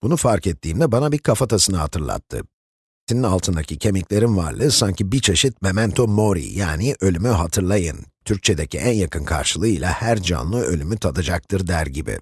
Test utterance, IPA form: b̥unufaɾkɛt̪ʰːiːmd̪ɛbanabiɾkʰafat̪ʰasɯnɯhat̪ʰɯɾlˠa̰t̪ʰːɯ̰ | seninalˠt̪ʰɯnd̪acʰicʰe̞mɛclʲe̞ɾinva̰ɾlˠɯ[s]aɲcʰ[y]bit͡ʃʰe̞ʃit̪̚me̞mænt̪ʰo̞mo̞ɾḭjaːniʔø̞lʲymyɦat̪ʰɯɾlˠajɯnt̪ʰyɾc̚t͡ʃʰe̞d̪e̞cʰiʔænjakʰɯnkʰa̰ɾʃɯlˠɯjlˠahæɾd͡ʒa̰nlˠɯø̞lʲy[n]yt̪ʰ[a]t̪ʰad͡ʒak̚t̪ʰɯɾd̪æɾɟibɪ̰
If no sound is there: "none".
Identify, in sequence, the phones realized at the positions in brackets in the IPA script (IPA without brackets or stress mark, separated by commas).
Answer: s, i, m, a